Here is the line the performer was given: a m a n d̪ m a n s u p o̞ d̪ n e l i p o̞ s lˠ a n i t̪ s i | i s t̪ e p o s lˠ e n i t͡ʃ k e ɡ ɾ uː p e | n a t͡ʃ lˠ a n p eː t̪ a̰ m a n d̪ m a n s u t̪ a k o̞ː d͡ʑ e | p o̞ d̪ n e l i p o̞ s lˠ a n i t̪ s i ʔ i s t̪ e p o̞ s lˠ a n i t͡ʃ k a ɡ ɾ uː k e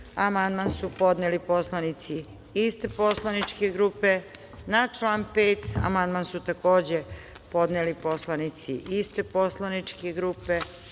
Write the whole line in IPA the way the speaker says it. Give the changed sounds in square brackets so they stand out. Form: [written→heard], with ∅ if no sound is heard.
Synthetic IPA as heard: a m a n d̪ m a n s u p o̞ d̪ n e l i p o̞ s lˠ a n i t̪ s i | i s t̪ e p o s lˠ [e→a] n i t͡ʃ k e ɡ ɾ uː p e | n a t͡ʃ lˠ a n p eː t̪ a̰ m a n d̪ m a n s u t̪ a k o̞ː d͡ʑ e | p o̞ d̪ n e l i p o̞ s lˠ a n i t̪ s i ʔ i s t̪ e p o̞ s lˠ a n i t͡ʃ k [a→e] ɡ ɾ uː [k→p] e